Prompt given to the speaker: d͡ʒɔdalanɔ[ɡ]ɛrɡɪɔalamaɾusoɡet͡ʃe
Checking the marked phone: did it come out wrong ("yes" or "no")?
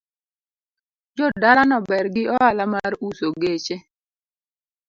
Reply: yes